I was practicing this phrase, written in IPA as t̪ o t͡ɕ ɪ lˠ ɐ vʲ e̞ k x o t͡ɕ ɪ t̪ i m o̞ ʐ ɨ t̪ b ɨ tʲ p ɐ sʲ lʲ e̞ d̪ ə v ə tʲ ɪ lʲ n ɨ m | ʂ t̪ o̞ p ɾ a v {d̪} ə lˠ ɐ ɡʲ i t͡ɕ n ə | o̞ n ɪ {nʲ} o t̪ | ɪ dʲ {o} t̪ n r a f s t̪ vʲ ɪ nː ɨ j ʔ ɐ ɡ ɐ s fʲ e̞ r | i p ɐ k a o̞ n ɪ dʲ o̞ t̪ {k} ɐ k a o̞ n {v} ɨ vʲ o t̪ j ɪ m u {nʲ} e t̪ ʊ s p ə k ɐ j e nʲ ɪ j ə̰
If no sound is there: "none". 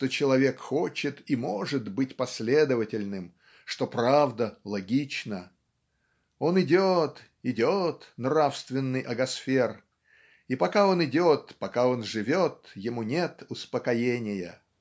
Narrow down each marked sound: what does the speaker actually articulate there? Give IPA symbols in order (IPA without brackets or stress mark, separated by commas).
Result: d̪, dʲ, o, p, ʐ, nʲ